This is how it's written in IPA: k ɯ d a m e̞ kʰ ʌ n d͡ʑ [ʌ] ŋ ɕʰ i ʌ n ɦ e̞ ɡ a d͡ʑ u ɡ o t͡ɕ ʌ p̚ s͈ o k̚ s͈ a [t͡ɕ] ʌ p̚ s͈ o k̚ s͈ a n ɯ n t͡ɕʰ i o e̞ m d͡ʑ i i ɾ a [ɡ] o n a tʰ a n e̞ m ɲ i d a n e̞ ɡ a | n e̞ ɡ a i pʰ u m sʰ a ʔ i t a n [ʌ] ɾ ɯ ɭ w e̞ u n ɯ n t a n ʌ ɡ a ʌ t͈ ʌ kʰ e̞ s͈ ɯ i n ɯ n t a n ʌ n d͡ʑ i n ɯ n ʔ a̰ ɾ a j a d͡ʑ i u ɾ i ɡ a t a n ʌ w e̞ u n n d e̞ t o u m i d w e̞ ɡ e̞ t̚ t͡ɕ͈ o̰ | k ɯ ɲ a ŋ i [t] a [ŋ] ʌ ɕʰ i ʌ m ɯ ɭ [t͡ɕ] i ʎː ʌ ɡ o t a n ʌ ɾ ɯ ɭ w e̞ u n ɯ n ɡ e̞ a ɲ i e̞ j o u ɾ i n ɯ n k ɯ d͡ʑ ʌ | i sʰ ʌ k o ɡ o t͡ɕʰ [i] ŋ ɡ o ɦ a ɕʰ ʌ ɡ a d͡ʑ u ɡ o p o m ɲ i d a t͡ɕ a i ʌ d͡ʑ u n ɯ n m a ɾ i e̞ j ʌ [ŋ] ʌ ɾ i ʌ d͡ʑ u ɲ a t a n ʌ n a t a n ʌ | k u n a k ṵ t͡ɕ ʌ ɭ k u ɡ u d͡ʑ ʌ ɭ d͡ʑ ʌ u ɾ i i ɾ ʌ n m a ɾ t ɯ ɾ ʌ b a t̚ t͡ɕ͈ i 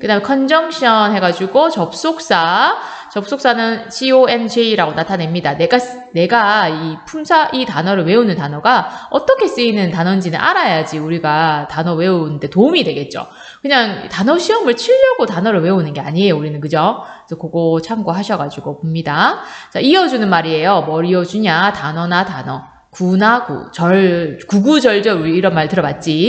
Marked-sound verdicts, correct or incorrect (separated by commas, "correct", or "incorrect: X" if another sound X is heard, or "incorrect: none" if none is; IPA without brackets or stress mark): correct, correct, correct, correct, correct, incorrect: n, incorrect: t͡ɕʰ, incorrect: a, incorrect: m